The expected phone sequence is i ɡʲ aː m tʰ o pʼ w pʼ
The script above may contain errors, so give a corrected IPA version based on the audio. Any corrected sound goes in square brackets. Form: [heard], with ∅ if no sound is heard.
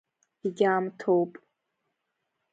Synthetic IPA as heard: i ɡʲ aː m tʰ o [∅] w pʼ